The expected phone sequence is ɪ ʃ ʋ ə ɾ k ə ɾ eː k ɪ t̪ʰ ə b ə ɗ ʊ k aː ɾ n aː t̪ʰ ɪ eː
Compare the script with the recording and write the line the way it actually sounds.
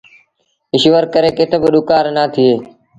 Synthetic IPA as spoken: ɪ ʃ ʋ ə ɾ k ə ɾ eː k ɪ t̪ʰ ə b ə ɗ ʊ k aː ɾ n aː t̪ʰ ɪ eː